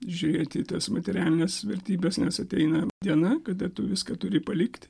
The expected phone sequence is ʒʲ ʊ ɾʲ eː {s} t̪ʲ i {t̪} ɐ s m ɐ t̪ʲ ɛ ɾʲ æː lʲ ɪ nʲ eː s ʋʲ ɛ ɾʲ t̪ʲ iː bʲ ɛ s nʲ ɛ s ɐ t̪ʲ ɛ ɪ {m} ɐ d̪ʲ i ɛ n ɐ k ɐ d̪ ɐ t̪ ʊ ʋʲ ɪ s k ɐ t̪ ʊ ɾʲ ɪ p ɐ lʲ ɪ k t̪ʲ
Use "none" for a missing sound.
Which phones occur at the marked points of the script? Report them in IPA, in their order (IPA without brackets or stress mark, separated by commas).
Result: none, t̪, n